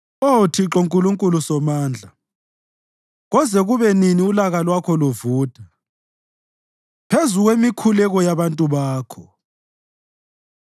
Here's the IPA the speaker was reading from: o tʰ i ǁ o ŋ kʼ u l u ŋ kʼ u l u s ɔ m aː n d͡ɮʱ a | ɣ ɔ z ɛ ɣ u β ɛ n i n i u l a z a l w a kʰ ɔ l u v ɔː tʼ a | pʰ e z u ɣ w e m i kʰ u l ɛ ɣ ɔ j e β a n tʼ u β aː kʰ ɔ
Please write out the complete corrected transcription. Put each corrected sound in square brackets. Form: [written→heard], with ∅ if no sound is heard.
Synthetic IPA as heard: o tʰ i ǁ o ŋ kʼ u l u ŋ kʼ u l u s ɔ m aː n d͡ɮʱ a | ɣ ɔ z ɛ ɣ u β ɛ n i n i u l a [z→ɣ] a l w a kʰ ɔ l u v [ɔː→uː] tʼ a | pʰ e z u ɣ w e m i kʰ u l ɛ ɣ ɔ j [e→a] β a n tʼ u β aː kʰ ɔ